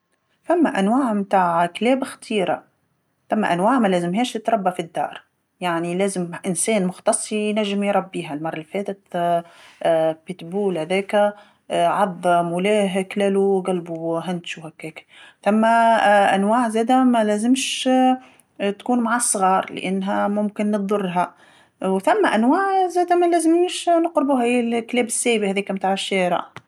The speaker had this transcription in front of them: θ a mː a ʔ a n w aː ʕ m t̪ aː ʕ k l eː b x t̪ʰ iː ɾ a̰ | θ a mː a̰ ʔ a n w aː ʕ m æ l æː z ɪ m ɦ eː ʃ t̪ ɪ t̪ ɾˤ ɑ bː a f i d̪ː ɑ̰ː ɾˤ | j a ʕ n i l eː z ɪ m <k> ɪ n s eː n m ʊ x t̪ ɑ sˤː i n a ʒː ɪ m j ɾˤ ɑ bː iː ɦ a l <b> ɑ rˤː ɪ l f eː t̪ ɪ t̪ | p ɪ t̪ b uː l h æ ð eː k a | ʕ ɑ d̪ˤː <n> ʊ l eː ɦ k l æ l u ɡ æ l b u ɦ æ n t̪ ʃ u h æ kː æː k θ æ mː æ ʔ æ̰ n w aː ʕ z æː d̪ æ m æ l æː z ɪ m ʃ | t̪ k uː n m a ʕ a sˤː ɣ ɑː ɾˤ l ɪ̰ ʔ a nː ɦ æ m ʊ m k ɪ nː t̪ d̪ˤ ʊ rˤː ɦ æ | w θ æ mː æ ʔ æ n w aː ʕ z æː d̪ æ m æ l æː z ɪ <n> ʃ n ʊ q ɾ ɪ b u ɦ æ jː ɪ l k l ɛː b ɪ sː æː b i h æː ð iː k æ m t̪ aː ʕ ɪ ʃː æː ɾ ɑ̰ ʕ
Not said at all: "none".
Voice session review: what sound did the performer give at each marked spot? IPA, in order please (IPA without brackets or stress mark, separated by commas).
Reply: ʔ, m, m, m